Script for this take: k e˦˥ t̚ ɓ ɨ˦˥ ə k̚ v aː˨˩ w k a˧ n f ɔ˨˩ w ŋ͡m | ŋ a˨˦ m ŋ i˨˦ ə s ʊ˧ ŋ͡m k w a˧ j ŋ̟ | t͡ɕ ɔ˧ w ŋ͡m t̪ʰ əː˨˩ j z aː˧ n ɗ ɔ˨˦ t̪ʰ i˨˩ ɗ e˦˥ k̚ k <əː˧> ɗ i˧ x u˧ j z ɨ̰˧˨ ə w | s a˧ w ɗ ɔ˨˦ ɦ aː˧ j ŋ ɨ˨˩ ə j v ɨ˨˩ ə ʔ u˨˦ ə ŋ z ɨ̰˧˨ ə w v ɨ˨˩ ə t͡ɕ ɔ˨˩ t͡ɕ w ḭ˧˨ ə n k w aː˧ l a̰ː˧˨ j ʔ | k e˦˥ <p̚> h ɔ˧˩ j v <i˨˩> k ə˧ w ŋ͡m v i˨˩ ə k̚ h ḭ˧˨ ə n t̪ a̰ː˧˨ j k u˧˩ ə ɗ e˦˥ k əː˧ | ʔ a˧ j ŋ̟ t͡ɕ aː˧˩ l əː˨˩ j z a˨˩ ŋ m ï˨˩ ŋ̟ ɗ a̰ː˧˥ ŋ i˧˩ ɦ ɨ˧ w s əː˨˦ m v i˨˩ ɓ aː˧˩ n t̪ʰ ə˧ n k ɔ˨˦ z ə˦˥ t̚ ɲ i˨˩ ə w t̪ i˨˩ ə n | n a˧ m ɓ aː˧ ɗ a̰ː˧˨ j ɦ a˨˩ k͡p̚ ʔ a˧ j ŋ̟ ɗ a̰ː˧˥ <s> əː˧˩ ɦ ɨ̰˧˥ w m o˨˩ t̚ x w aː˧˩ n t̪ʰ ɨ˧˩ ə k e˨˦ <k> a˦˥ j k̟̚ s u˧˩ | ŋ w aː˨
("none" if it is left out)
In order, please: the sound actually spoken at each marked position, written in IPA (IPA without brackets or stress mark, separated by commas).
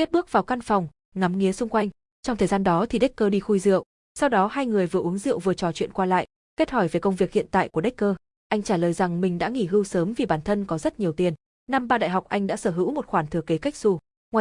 əː˧, t̚, e˨˩, s, k